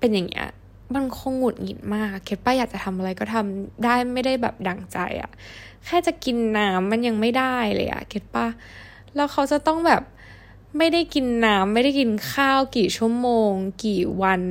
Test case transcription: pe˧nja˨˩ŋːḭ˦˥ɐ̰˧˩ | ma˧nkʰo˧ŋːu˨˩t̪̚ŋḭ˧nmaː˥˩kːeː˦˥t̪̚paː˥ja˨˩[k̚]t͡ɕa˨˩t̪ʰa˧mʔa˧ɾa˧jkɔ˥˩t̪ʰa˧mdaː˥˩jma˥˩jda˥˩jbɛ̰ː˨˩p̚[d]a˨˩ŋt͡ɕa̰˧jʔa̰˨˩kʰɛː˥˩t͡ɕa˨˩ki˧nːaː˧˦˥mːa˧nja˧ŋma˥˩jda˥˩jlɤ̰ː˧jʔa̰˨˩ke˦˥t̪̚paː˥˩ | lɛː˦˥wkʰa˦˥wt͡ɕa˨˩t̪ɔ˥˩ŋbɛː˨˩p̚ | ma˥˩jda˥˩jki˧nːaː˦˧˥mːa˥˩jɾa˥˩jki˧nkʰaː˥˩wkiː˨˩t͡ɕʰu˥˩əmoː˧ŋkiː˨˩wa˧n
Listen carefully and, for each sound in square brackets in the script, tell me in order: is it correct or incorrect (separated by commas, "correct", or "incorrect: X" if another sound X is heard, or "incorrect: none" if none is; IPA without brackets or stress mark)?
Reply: correct, correct